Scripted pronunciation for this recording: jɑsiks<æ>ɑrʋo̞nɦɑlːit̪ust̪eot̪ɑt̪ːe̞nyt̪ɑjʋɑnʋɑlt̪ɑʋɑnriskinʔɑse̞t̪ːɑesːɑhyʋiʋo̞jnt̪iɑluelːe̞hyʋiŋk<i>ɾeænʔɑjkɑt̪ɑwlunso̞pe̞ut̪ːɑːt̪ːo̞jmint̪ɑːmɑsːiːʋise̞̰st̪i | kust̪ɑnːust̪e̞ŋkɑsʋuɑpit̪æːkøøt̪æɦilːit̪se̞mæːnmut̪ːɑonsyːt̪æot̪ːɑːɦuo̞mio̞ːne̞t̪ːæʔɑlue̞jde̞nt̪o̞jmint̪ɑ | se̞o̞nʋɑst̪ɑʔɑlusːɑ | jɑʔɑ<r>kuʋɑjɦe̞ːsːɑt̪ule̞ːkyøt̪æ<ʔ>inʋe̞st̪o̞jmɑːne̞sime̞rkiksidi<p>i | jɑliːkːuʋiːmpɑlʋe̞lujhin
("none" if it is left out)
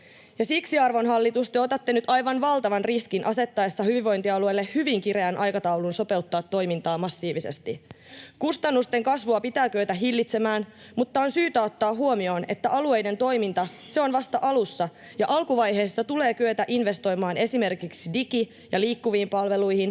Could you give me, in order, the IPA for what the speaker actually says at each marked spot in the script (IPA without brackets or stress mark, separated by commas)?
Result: i, i, l, ʔ, k